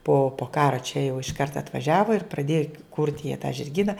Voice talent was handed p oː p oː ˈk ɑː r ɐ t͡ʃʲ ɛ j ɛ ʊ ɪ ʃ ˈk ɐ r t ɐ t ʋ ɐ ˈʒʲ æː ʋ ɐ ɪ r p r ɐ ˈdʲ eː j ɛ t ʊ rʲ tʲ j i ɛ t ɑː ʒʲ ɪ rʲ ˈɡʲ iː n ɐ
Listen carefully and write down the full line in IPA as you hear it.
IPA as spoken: p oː p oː ˈk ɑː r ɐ t͡ʃʲ ɛ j ɛ ʊ ɪ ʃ ˈk ɐ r t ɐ t ʋ ɐ ˈʒʲ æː ʋ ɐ ɪ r p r ɐ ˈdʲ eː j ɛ k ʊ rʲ tʲ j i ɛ t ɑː ʒʲ ɪ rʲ ˈɡʲ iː n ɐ